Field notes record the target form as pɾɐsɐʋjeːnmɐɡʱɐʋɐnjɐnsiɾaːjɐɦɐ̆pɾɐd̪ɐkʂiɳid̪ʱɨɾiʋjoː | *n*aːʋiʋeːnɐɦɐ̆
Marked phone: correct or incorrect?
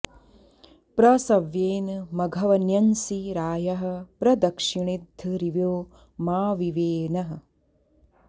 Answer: incorrect